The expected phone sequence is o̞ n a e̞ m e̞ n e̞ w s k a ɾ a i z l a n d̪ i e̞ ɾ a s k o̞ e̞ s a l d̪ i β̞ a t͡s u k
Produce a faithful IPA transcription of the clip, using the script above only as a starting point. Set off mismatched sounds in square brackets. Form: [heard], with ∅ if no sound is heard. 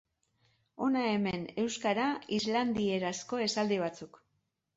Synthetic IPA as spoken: o̞ n a e̞ m e̞ n e̞ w s k a ɾ a i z l a n d̪ i e̞ ɾ a s k o̞ e̞ s a l d̪ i β̞ a t͡s u k